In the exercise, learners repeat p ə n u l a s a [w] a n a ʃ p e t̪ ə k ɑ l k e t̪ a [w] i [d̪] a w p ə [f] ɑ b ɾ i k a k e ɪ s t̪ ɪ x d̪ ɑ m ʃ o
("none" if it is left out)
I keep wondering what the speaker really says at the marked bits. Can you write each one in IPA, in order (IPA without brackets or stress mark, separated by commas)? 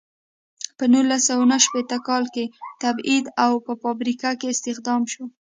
w, b, d̪, f